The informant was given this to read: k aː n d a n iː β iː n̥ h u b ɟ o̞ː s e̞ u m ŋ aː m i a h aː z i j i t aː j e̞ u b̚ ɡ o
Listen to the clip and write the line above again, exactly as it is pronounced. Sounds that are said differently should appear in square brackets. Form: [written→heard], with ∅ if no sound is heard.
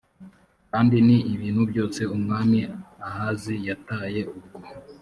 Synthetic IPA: k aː n d [a→i] n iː β iː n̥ h u b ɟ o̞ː s e̞ u m ŋ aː m i a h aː z i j [i→a] t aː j e̞ u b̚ ɡ o